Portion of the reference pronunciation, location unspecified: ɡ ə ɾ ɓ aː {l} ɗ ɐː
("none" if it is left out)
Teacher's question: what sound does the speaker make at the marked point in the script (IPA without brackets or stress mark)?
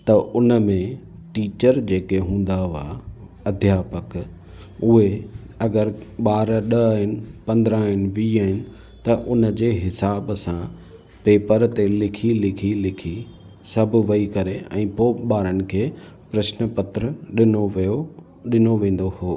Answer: ɾ